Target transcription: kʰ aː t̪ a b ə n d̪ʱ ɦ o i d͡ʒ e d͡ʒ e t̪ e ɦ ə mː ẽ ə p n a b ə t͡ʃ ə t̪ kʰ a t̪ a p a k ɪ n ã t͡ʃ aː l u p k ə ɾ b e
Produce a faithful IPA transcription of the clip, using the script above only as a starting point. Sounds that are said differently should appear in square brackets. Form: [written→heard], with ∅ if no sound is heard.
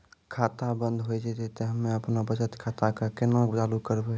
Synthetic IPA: kʰ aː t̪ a b ə n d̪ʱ ɦ o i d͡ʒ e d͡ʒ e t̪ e ɦ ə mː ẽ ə p n a b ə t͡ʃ ə t̪ kʰ a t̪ a [p→k] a k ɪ n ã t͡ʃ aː l u [p→∅] k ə ɾ b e